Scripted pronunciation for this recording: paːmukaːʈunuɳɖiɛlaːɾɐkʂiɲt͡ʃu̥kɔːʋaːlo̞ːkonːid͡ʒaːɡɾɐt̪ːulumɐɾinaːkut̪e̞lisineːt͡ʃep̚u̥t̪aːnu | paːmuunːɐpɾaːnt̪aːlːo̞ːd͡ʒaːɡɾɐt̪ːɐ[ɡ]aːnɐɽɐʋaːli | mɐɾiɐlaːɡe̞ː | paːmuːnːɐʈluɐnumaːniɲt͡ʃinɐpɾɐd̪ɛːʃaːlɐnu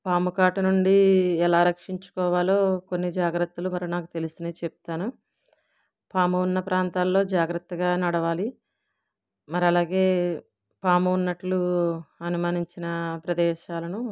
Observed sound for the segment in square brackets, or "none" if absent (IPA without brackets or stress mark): ɡ